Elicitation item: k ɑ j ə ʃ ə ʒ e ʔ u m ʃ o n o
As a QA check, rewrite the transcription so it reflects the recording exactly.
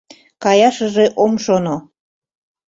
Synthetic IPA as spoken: k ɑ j ɑ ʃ ə ʒ e ʔ o m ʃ o n o